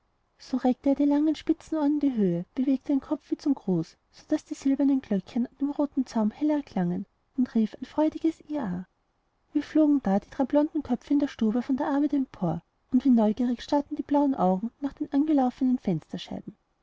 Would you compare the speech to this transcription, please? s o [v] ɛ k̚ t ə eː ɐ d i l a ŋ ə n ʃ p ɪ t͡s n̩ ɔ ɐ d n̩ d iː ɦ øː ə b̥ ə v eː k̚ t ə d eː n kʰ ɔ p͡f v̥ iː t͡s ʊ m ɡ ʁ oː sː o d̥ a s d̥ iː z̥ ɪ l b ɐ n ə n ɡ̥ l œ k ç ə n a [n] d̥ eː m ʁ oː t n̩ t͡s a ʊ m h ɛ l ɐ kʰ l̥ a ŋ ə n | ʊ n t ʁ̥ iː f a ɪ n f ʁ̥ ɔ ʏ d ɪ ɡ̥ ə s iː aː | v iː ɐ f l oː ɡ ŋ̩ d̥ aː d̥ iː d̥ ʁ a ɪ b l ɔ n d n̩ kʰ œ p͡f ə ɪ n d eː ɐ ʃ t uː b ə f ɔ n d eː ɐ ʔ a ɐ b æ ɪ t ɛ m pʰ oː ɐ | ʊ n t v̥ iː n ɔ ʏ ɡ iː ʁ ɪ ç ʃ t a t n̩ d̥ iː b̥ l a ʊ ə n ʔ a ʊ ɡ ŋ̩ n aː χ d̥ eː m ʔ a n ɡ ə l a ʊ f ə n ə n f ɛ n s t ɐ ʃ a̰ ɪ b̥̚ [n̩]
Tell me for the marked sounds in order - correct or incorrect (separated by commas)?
incorrect, correct, incorrect